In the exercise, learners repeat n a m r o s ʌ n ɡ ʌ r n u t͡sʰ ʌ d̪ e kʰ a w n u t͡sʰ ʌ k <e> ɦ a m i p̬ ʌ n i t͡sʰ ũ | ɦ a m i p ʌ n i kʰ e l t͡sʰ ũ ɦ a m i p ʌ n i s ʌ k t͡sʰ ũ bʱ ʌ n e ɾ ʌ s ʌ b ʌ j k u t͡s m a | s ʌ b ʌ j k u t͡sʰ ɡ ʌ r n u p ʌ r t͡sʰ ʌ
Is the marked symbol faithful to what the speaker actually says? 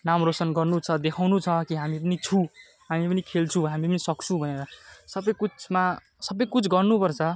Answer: no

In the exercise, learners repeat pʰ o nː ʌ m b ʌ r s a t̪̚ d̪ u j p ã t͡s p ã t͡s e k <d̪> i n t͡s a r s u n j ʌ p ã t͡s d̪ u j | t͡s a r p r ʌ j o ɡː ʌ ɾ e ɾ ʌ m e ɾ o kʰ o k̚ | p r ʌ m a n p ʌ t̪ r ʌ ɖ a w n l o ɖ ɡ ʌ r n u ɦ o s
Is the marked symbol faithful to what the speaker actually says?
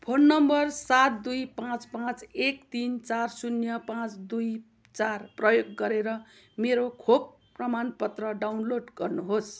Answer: no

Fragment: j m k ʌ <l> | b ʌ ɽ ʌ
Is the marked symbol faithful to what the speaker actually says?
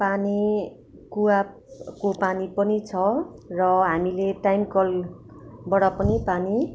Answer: yes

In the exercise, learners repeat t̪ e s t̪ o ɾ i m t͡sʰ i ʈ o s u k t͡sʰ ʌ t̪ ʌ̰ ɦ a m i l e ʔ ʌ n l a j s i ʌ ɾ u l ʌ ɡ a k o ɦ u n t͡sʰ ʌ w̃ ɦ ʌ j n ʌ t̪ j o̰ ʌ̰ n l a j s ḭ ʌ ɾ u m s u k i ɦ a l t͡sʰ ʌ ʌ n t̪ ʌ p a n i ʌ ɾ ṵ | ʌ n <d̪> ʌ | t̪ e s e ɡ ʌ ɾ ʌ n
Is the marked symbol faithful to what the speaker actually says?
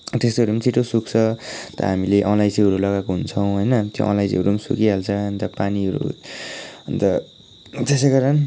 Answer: no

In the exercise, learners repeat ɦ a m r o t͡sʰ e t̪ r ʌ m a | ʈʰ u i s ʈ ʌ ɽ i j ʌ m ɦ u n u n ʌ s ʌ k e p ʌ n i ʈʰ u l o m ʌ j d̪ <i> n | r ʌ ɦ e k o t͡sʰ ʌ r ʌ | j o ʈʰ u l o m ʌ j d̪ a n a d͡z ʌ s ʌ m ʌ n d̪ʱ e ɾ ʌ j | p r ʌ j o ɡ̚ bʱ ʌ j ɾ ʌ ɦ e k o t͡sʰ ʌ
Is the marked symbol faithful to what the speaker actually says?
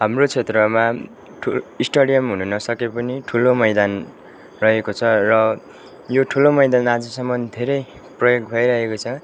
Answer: no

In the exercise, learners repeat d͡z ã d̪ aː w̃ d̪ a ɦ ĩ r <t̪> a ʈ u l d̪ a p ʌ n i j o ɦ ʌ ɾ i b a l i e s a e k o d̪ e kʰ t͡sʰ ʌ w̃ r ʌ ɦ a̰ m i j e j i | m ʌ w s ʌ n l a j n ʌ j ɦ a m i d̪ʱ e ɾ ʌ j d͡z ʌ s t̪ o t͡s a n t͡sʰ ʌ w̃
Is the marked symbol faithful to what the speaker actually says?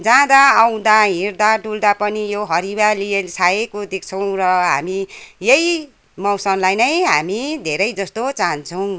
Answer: no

